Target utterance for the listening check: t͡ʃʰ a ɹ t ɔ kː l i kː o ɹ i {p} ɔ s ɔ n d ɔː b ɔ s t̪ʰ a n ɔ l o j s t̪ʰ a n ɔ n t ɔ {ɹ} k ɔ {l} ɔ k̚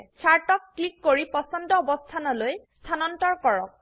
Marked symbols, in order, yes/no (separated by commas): yes, yes, no